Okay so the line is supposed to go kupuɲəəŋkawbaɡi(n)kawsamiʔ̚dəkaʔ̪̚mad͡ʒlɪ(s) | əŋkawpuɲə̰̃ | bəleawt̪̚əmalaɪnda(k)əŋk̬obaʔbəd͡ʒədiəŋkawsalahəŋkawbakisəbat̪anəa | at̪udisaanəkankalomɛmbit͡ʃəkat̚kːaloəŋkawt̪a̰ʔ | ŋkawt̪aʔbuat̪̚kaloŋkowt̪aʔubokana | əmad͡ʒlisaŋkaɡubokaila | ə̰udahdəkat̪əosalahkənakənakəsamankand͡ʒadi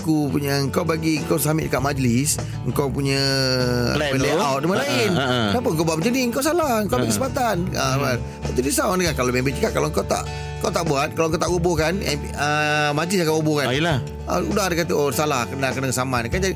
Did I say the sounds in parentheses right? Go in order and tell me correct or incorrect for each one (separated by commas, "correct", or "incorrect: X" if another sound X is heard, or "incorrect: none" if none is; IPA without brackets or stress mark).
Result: incorrect: ŋ, correct, incorrect: p